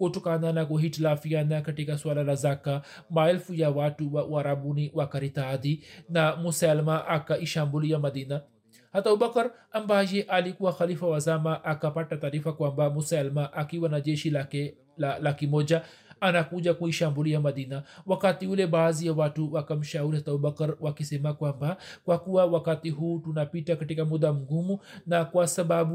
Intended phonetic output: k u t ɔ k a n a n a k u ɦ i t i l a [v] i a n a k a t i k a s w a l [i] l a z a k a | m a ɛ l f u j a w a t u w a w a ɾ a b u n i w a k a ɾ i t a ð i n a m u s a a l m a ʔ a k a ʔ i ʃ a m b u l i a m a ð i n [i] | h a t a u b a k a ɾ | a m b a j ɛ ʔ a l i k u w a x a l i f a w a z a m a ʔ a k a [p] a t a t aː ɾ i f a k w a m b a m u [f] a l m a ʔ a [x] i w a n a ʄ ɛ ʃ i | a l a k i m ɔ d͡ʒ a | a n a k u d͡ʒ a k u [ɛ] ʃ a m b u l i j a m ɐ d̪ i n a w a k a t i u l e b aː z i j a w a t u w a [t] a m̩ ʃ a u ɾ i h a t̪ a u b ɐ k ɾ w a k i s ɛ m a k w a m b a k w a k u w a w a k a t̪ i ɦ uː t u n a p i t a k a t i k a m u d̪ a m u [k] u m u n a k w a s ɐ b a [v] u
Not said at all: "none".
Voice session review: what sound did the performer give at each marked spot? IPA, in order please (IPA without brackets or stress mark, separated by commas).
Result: f, a, a, p, s, k, i, k, ɡ, b